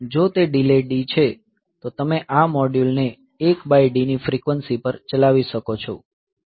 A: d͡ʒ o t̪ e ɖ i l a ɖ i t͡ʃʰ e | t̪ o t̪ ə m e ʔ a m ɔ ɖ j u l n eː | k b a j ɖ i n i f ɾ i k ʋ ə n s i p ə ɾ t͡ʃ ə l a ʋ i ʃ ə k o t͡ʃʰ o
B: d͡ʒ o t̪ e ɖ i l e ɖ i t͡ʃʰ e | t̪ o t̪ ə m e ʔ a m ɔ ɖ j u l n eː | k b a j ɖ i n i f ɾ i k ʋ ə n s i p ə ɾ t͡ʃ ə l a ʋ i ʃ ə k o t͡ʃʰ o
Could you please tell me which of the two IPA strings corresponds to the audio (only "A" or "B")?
B